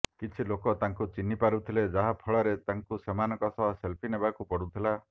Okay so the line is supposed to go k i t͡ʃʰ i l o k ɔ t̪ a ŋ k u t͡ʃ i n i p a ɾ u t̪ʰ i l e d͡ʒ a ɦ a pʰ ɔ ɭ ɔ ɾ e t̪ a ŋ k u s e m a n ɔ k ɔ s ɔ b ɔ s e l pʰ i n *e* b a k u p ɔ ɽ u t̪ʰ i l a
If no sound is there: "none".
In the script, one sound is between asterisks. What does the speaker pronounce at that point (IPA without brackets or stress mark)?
e